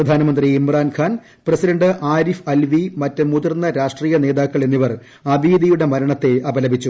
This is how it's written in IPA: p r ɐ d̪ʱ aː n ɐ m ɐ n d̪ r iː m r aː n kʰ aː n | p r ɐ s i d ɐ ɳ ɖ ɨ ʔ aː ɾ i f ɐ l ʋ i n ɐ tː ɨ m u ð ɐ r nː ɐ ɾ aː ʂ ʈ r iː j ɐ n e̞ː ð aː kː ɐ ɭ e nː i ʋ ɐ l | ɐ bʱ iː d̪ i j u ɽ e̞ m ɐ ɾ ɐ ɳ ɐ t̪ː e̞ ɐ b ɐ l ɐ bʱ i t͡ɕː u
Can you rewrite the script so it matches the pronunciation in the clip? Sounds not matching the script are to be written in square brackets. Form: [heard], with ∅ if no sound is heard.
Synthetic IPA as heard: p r ɐ d̪ʱ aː n ɐ m ɐ n d̪ r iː m r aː n kʰ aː n | p r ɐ s i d ɐ ɳ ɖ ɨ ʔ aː ɾ i f ɐ l ʋ i [m] ɐ tː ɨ m u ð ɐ r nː ɐ ɾ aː ʂ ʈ r iː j ɐ n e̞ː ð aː kː ɐ ɭ e nː i ʋ ɐ [r] | ɐ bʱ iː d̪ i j u ɽ e̞ m ɐ ɾ ɐ ɳ ɐ t̪ː e̞ ɐ b ɐ l ɐ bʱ i t͡ɕː u